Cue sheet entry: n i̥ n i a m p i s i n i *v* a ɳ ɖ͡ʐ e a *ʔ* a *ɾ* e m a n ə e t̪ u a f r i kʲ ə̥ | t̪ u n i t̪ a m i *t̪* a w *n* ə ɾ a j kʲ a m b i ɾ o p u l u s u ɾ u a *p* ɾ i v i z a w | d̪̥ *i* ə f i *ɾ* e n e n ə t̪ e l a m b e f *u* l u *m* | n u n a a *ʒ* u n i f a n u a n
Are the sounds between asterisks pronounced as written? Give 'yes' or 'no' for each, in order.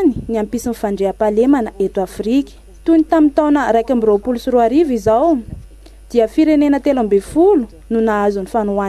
no, no, no, yes, yes, no, yes, yes, yes, no, no

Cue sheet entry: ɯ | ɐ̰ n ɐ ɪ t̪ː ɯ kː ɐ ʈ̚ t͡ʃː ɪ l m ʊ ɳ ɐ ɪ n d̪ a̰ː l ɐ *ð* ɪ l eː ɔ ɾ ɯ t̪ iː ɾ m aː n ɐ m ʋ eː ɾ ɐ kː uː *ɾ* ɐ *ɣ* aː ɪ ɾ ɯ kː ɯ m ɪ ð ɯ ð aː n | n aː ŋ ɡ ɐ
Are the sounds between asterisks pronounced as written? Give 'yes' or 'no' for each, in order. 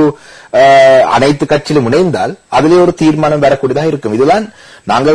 yes, no, no

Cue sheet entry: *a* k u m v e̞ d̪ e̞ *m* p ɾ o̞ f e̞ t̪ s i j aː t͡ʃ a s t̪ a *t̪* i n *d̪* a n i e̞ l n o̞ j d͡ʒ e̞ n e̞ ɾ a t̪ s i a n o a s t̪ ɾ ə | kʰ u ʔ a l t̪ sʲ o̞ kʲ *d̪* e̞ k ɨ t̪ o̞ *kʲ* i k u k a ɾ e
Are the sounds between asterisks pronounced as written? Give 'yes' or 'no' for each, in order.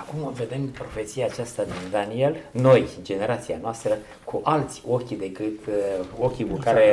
yes, yes, no, yes, yes, yes

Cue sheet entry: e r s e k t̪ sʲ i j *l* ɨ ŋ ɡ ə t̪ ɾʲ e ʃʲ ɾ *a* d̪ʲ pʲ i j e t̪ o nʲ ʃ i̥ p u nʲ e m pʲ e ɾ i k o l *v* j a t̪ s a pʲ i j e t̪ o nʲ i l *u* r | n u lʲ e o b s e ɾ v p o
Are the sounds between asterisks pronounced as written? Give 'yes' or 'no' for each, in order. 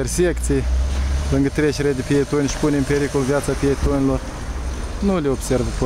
yes, no, yes, no

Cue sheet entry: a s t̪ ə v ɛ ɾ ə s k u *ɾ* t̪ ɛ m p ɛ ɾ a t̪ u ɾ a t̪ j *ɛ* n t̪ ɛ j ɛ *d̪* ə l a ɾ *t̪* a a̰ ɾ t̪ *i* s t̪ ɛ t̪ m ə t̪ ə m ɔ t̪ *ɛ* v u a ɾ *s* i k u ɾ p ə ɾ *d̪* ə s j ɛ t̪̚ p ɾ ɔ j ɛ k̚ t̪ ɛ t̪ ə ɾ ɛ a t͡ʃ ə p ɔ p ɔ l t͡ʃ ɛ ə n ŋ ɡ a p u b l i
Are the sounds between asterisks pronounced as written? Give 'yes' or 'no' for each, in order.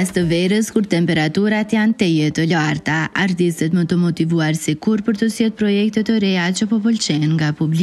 yes, no, no, yes, yes, no, yes, no

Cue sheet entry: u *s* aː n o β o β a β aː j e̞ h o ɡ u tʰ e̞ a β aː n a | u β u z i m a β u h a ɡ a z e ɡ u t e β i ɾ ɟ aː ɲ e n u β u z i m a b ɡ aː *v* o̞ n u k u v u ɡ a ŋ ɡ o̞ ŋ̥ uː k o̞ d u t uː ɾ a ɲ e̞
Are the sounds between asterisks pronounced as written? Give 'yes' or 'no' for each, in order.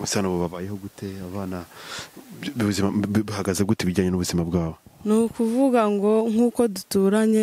yes, no

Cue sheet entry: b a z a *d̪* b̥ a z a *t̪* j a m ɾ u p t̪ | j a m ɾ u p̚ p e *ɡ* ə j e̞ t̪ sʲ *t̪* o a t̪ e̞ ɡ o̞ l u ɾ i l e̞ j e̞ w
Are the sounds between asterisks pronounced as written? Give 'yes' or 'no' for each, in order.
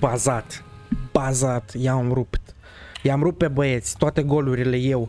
no, yes, no, yes

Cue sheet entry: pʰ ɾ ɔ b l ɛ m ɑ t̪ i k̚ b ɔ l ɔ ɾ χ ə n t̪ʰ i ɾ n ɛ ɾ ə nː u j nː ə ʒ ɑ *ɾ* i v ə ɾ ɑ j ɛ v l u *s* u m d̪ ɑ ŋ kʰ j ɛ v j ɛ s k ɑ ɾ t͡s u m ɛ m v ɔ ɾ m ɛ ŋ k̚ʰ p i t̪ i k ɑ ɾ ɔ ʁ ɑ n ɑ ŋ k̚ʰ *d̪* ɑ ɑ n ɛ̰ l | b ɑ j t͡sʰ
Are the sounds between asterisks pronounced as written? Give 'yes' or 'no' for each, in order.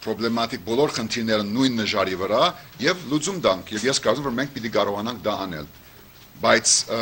yes, no, yes

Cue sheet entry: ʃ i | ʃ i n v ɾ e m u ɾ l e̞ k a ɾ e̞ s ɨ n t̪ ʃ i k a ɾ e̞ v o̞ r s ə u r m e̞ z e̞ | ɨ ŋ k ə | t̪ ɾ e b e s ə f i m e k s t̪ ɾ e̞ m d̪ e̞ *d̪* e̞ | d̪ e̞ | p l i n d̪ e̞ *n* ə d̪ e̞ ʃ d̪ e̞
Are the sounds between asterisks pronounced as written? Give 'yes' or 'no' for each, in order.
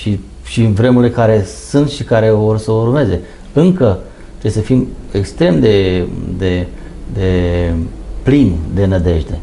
yes, yes

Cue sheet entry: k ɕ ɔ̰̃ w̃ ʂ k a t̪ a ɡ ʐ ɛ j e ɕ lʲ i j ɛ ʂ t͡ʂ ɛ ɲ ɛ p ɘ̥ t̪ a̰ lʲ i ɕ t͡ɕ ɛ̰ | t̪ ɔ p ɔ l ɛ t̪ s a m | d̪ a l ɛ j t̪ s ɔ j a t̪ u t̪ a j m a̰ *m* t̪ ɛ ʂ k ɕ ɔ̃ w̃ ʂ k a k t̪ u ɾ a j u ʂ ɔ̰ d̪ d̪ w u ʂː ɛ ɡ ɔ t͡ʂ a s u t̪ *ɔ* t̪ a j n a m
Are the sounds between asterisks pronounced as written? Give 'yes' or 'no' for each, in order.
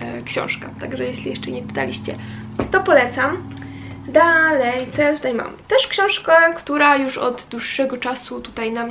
yes, no

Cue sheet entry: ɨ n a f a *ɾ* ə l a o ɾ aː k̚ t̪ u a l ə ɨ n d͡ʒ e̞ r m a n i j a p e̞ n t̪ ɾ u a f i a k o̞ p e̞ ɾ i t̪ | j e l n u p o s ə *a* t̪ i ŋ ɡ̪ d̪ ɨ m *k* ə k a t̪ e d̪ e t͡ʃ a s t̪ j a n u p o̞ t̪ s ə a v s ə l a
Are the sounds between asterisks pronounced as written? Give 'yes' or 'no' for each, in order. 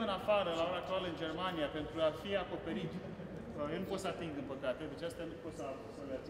yes, yes, no

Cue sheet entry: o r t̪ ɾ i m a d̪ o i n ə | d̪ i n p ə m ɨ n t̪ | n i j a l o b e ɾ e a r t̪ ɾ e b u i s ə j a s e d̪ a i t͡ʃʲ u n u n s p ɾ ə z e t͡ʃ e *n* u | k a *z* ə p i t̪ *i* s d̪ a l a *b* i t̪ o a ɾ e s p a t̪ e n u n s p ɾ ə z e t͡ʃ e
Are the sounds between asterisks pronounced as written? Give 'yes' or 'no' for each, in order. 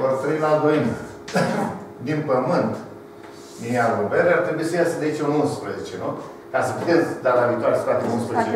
yes, no, no, no

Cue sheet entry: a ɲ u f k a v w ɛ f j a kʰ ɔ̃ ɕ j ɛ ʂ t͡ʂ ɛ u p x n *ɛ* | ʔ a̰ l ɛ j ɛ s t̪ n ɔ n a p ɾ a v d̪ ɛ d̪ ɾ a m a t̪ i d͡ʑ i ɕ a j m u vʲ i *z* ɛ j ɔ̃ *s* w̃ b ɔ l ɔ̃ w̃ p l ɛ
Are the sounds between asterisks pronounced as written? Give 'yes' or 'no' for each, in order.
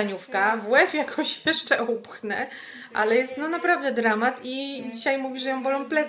yes, no, no

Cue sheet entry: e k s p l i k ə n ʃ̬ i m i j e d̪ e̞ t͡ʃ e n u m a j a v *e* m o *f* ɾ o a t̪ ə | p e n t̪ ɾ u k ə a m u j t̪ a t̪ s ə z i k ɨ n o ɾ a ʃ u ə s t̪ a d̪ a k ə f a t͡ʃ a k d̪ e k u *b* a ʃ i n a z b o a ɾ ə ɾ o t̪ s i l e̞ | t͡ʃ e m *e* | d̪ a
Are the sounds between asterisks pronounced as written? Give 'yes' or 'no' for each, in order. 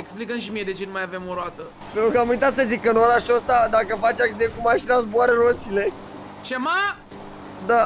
yes, no, no, no

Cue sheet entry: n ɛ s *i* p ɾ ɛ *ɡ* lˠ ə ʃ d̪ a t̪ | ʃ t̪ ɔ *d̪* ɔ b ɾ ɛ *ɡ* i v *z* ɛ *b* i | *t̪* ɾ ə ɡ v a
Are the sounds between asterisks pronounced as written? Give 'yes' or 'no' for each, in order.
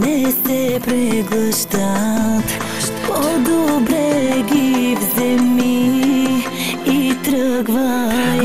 no, yes, yes, yes, yes, no, yes

